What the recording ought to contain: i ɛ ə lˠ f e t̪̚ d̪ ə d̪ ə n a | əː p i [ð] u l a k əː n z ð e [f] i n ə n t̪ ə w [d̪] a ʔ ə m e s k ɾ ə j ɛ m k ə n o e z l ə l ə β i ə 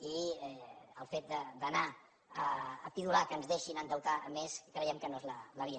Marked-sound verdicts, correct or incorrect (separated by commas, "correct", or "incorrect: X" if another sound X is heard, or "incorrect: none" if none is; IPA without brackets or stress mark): correct, incorrect: ʃ, incorrect: t̪